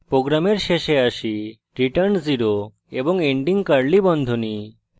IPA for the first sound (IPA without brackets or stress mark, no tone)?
p